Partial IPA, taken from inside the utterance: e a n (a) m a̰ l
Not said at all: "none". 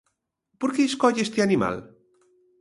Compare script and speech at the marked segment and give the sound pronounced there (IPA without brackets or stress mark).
i